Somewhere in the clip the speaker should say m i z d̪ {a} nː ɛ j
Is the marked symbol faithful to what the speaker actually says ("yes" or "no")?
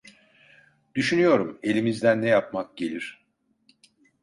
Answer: no